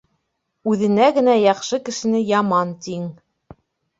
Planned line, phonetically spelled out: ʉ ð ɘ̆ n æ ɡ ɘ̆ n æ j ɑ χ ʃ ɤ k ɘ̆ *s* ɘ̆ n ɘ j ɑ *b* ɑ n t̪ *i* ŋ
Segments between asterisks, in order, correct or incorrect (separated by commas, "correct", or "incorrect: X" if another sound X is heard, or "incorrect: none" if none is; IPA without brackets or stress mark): incorrect: ʃ, incorrect: m, correct